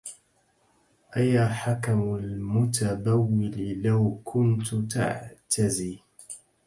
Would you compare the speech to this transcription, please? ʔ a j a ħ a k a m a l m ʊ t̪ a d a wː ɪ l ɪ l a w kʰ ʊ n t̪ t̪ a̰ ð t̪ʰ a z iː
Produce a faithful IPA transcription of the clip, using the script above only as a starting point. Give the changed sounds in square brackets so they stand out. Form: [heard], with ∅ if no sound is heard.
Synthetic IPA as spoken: ʔ a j a ħ a k a m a l m ʊ t̪ a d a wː ɪ l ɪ l a w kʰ ʊ n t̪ t̪ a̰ [ʕ] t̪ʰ a z iː